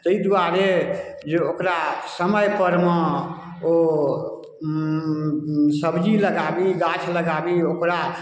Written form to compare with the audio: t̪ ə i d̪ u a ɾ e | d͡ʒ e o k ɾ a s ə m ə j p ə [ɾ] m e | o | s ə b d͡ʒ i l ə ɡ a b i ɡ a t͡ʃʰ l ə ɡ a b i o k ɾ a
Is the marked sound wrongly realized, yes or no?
no